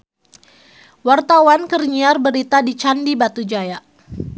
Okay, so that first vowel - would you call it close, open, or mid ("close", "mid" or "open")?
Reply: open